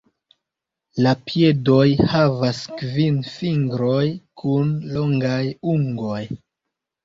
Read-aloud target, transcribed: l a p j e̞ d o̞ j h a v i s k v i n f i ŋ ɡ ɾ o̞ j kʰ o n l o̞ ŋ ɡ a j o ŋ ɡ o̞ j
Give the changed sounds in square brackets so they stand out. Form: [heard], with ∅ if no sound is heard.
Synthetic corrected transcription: l a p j e̞ d o̞ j h a v [a] s k v i n f i ŋ ɡ ɾ o̞ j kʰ [u] n l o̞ ŋ ɡ a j [u] ŋ ɡ o̞ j

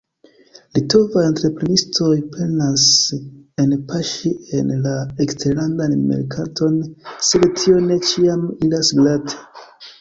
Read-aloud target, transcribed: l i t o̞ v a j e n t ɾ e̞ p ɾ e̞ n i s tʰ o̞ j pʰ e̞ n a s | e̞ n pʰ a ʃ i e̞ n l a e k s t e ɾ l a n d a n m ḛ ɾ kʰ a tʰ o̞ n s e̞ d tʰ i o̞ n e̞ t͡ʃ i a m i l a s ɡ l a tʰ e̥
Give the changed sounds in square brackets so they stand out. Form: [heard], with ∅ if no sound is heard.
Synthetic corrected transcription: l i t o̞ v a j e n t ɾ e̞ p ɾ e̞ n i s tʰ o̞ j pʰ e̞ n a s | e̞ n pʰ a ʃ i e̞ n l a e k s t e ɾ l a n d a n m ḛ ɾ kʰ a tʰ o̞ n s e̞ d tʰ i o̞ n e̞ t͡ʃ i a m i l a s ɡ l a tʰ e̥

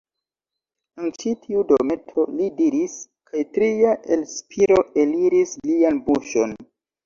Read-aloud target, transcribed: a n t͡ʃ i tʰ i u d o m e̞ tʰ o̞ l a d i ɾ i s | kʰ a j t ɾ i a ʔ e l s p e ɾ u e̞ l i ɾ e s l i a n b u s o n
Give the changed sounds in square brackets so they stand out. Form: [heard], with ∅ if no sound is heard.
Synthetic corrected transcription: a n t͡ʃ i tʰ i u d o m e̞ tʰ o̞ l [i] d i ɾ i s | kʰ a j t ɾ i a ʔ e l s p [i] ɾ [o] e̞ l i ɾ [i] s l i a n b u [ʃ] o n

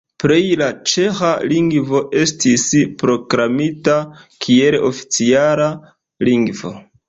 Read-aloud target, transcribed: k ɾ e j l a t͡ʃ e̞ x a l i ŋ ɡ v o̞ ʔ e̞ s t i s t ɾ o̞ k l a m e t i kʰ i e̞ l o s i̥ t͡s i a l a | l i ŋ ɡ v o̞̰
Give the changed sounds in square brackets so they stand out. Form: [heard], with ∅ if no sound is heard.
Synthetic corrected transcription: [p] ɾ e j l a t͡ʃ e̞ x a l i ŋ ɡ v o̞ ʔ e̞ s t i s [p] ɾ o̞ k [ɾ] a m [i] t [a] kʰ i e̞ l o [f] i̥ t͡s i a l a | l i ŋ ɡ v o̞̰

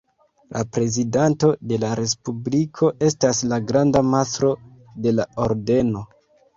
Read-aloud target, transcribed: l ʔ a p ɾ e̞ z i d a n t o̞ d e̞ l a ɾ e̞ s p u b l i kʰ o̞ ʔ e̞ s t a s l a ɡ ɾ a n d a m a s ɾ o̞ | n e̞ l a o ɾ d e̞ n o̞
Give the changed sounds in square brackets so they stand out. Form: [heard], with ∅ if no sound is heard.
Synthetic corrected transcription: l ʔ a p ɾ e̞ z i d a n t o̞ d e̞ l a ɾ e̞ s p u b l i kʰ o̞ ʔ e̞ s t a s l a ɡ ɾ a n d a m a s ɾ o̞ | [d] e̞ l a o ɾ d e̞ n o̞

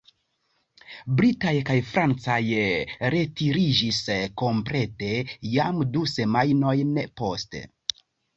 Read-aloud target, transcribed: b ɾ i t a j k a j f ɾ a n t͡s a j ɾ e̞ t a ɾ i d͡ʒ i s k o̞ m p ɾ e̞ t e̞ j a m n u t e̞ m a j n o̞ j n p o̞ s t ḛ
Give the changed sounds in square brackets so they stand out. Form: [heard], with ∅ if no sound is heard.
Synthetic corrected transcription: b ɾ i t a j k a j f ɾ a n t͡s a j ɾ e̞ t [i] ɾ i d͡ʒ i s k o̞ m p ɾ e̞ t e̞ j a m [d] u [s] e̞ m a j n o̞ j n p o̞ s t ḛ

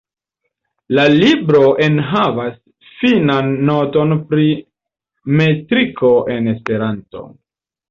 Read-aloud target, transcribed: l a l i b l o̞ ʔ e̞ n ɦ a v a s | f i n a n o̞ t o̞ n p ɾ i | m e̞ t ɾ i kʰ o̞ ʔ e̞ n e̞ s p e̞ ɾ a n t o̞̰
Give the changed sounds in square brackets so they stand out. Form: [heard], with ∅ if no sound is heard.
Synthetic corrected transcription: l a l i b [ɾ] o̞ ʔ e̞ n ɦ a v a s | f i n a [nː] o̞ t o̞ n p ɾ i | m e̞ t ɾ i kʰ o̞ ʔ e̞ n e̞ s p e̞ ɾ a n t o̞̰

